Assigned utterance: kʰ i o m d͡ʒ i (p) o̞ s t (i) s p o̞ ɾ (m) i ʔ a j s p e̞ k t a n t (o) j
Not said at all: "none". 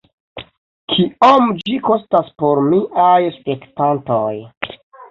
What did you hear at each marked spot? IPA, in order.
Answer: k, a, m, o

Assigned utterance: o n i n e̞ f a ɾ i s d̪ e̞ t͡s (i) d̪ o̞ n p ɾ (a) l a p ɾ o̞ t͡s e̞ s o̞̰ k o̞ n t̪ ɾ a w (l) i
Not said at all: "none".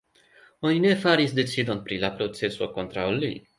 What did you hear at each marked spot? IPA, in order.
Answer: i, i, l

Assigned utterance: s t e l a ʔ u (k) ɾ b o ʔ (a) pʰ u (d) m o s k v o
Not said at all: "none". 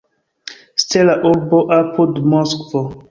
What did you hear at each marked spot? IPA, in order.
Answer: none, a, d

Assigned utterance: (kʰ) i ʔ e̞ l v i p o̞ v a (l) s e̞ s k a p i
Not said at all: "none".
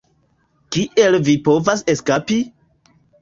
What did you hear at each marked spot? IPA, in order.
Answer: k, none

